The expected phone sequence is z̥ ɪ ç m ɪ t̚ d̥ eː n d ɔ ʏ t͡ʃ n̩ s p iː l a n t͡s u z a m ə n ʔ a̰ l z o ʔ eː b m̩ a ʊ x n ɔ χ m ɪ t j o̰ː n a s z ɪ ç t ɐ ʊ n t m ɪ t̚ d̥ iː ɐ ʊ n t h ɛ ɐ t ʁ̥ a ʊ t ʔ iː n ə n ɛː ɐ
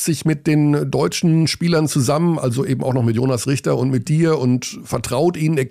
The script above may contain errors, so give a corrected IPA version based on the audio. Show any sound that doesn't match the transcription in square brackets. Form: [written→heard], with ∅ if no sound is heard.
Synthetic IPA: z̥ ɪ ç m ɪ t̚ d̥ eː n d ɔ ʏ t͡ʃ n̩ [s→ʃ] p iː l [a→ɐ] n t͡s u z a m ə n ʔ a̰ l z o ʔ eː b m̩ a ʊ x n ɔ χ m ɪ t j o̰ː n a s [z→ʁ] ɪ ç t ɐ ʊ n t m ɪ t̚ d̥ iː ɐ ʊ n t [h→f] ɛ ɐ t ʁ̥ a ʊ t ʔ iː n ə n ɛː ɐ